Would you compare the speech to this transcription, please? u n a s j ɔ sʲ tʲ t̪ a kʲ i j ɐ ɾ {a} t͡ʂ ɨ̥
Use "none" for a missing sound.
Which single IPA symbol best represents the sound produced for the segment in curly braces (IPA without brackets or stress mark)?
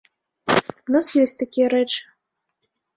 ɛ